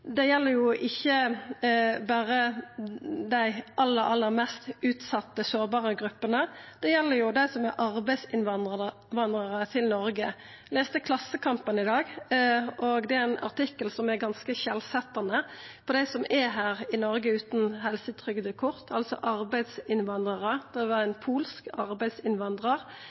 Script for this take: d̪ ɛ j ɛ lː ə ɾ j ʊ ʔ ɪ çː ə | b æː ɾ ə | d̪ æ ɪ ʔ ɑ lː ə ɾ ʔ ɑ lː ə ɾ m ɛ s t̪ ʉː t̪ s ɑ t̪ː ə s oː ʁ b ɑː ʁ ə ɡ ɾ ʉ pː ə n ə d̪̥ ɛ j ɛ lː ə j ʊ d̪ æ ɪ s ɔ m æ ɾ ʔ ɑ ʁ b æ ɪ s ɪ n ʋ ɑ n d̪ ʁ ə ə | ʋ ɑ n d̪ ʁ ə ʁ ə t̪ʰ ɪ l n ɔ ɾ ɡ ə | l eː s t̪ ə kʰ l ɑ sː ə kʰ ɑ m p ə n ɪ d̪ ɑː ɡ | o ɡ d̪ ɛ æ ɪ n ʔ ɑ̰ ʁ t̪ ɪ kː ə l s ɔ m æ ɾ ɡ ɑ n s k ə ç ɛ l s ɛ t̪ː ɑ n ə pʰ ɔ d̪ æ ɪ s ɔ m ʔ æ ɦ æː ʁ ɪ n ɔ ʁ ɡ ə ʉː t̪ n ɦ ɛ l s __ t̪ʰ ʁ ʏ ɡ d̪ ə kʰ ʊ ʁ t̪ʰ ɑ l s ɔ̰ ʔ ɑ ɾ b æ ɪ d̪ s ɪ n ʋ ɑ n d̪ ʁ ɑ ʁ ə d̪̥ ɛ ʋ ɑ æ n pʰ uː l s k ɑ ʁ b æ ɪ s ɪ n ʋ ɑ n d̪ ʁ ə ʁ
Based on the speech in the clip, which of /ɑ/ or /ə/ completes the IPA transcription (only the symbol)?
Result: ə